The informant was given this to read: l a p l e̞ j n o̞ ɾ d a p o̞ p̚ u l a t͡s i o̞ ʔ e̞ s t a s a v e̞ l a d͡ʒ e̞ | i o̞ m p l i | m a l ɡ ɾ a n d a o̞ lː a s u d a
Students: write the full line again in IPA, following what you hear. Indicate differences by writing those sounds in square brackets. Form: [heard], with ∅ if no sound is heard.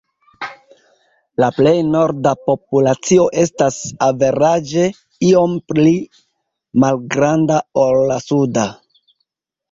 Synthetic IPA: l a p l e̞ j n o̞ ɾ d a p o̞ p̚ u l a t͡s i o̞ ʔ e̞ s t a s a v e̞ [ɾ] a d͡ʒ e̞ | i o̞ m p l i | m a l ɡ ɾ a n d a o̞ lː a s u d a